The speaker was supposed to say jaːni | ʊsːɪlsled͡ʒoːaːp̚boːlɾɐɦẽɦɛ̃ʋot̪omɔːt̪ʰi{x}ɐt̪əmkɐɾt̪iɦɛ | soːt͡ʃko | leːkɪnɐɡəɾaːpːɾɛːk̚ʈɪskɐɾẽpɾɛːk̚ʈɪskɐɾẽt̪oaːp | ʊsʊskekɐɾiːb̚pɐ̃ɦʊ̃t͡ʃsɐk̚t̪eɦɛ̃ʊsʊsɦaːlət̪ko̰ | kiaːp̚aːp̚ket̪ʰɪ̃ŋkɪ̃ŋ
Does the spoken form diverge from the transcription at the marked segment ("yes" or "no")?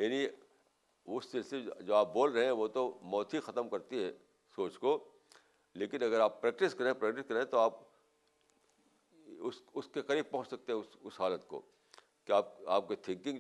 no